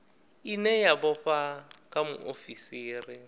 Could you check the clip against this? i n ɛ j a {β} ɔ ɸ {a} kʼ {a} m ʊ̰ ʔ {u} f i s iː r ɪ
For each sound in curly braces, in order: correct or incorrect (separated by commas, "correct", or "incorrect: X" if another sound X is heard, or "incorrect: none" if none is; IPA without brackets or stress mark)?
incorrect: b, correct, correct, incorrect: o